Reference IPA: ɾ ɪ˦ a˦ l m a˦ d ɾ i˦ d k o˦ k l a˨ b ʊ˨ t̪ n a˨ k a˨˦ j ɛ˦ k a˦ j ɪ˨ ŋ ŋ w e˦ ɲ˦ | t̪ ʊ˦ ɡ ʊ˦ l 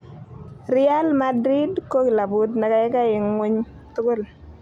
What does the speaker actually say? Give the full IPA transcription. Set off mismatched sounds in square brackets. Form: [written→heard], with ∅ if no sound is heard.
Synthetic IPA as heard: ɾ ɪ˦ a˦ l m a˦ d ɾ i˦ d k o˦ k l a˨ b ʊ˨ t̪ n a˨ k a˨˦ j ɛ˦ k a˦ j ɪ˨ ŋ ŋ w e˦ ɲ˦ | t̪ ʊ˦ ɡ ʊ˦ l

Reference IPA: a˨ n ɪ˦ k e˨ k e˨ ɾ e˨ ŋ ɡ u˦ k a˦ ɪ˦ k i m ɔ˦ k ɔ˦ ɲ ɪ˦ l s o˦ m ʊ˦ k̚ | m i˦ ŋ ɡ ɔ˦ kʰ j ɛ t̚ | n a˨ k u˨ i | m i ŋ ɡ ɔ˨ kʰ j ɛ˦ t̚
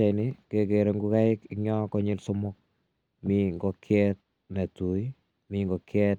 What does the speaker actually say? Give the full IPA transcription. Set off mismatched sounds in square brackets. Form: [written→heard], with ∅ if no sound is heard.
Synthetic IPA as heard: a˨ n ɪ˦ k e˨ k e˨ ɾ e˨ ŋ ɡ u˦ k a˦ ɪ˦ k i [m→ɲ] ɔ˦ k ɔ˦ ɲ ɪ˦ l s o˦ m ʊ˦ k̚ | m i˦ ŋ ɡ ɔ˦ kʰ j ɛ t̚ | n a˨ [k→t] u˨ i | m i ŋ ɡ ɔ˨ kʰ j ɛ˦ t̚

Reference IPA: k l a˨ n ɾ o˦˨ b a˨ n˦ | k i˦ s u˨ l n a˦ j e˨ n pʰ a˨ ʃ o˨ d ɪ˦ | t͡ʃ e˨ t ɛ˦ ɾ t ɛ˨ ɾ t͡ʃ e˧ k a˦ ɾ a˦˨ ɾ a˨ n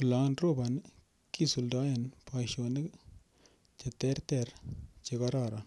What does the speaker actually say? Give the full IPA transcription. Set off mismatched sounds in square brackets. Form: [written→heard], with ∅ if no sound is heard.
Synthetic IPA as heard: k l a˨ n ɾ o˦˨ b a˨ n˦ | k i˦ s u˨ l [n→d] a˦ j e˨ n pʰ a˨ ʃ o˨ [d→n] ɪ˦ | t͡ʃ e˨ t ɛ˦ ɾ t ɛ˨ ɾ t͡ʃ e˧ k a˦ ɾ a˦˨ ɾ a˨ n

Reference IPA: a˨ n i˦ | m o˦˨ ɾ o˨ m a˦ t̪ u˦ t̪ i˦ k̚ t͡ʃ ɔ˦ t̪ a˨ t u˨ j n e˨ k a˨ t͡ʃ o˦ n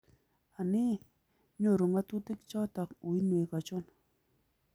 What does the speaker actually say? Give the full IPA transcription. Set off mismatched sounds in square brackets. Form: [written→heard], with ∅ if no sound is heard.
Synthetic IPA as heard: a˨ n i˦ | [m→ɲ] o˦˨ ɾ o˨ [m→ŋ] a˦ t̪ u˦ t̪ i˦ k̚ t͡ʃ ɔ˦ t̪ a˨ [t→k] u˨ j n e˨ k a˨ t͡ʃ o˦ n

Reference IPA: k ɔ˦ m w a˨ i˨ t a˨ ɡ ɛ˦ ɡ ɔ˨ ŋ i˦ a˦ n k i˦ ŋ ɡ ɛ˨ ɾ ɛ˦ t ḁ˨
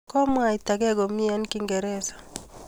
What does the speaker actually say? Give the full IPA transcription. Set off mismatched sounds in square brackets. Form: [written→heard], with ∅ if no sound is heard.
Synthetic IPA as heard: k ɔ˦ m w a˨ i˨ t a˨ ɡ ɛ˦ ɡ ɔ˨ [ŋ→m] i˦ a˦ n k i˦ ŋ ɡ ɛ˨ ɾ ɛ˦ [t→s] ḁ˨

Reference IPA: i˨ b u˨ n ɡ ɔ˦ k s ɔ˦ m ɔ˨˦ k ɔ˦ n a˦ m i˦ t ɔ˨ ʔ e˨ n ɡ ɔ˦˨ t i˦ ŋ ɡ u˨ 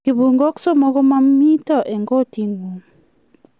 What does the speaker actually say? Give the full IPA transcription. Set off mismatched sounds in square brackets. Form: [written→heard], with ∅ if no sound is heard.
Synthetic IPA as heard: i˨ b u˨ [n→ŋ] ɡ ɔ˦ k s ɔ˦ m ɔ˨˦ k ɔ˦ [n→m] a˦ m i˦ t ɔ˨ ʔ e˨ [n→ŋ] ɡ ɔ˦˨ t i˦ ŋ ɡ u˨

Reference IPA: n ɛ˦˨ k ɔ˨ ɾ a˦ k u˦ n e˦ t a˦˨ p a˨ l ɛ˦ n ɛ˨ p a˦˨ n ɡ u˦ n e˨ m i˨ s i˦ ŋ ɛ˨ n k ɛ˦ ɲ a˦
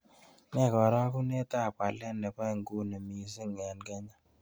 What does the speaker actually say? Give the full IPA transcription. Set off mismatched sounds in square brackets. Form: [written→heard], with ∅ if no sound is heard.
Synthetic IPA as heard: n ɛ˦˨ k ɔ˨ ɾ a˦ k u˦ n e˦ t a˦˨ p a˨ l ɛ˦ n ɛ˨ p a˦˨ [n→ŋ] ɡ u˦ n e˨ m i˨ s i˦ ŋ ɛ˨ n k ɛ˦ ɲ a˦

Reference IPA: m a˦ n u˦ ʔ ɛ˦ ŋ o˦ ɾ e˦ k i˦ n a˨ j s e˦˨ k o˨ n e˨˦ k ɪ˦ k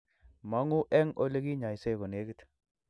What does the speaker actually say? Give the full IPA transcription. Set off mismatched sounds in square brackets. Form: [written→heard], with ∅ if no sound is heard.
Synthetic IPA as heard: m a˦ [n→ŋ] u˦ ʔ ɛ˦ ŋ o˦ [ɾ→l] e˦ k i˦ [n→ɲ] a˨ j s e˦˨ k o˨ n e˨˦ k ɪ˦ [k→t]

